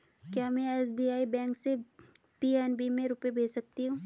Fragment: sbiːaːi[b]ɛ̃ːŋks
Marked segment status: correct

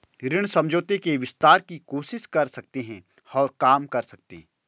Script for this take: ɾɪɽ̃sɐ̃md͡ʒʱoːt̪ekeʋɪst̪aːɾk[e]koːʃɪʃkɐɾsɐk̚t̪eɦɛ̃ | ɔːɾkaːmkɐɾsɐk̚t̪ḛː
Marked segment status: incorrect: i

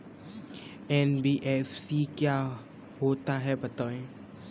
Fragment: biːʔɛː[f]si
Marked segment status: correct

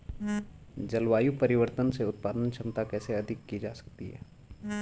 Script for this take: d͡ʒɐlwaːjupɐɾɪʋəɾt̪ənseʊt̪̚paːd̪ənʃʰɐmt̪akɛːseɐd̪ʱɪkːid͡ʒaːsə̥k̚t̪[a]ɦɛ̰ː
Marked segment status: incorrect: i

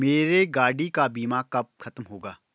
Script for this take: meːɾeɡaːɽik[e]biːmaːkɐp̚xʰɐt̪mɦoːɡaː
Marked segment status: incorrect: a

